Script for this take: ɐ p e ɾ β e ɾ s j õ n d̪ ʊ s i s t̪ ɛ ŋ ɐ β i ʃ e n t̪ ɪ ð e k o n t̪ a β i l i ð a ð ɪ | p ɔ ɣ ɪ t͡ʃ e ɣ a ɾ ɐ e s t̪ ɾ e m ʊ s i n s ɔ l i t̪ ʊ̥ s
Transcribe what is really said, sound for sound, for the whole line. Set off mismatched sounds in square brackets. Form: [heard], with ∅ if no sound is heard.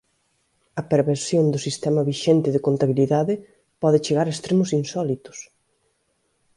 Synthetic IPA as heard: ɐ p e ɾ β e ɾ s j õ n d̪ ʊ s i s t̪ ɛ [m] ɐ β i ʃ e n t̪ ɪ ð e k o n t̪ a β i l i ð a ð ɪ | p ɔ [ð] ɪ t͡ʃ e ɣ a ɾ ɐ e s t̪ ɾ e m ʊ s i n s ɔ l i t̪ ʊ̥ s